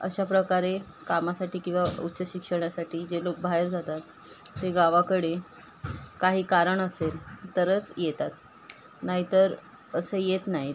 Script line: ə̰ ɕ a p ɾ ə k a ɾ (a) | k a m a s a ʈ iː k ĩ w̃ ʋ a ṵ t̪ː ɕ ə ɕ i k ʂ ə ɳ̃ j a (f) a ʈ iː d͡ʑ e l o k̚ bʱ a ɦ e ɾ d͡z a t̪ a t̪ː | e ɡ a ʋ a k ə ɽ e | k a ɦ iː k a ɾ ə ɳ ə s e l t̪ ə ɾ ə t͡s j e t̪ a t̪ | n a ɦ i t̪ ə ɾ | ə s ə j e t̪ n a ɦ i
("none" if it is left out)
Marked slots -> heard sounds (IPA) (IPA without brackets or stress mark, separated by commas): e, s